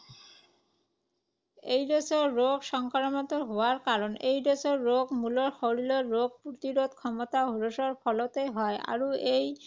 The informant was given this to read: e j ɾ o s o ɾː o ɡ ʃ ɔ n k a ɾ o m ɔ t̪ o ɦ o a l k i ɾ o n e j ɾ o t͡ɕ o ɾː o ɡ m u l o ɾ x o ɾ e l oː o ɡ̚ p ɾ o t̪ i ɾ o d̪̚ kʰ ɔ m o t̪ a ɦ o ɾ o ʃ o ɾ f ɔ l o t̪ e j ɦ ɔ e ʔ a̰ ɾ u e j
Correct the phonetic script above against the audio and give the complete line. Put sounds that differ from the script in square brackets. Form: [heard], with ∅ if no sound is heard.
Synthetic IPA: e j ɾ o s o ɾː o ɡ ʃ ɔ [ŋ] k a ɾ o m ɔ t̪ o ɦ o a [ɾ] k [a] ɾ o n e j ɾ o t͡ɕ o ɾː o ɡ m u l o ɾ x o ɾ [i] l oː o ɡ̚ p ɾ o t̪ i ɾ o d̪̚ kʰ ɔ m o t̪ a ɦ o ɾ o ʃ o ɾ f ɔ l o t̪ e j ɦ ɔ e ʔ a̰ ɾ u e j